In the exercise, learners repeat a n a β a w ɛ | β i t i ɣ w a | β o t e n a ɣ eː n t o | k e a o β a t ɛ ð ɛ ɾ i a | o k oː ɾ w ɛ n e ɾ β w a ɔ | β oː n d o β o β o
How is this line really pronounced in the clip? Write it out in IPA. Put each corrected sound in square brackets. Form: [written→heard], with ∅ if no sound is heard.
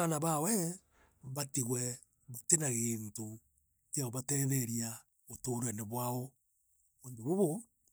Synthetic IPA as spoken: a n a β a w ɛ | β [i→a] t i ɣ w [a→ɛ] | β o t e n a ɣ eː n t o | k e a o β a t ɛ ð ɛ ɾ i a | o [k→t] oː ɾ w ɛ n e [ɾ→∅] β w a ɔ | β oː n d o β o β o